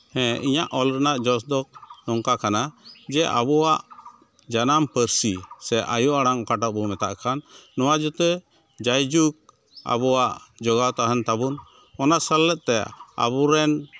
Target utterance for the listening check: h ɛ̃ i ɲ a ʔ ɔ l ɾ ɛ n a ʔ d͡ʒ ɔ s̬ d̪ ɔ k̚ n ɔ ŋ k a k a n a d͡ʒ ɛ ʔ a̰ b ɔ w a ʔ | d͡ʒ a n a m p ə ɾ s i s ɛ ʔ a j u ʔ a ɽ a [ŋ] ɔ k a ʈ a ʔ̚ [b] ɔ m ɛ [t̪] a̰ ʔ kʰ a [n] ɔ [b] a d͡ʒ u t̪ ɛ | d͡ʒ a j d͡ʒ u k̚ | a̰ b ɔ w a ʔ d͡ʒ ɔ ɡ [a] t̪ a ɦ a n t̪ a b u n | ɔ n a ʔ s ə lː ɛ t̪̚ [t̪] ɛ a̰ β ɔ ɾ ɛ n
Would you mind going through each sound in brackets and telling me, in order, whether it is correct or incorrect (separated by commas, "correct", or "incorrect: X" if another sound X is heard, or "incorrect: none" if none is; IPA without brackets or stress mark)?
correct, correct, correct, incorrect: nː, incorrect: w, correct, correct